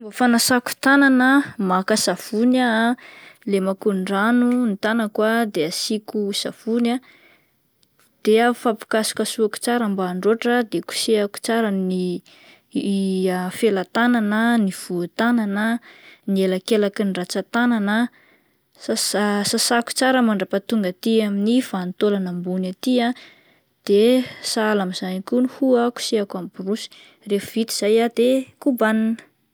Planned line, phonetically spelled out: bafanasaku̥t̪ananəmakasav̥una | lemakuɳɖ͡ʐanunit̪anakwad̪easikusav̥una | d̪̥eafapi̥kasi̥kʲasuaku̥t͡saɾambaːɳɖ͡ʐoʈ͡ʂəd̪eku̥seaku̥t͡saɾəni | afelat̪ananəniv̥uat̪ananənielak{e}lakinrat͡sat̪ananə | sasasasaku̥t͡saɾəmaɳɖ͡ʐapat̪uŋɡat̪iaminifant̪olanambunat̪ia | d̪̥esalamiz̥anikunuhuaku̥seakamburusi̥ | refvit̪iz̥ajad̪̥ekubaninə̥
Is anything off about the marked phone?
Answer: no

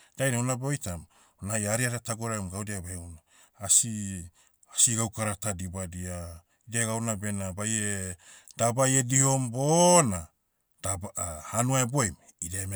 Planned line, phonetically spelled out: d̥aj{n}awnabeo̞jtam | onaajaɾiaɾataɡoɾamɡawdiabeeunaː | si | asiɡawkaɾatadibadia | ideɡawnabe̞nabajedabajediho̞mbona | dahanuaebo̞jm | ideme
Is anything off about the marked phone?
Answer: no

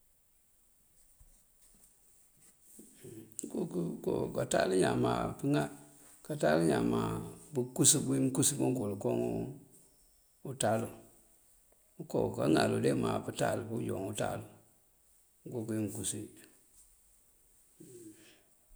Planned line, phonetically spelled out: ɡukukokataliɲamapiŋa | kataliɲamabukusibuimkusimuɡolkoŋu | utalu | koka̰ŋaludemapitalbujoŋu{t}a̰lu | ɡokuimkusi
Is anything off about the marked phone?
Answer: no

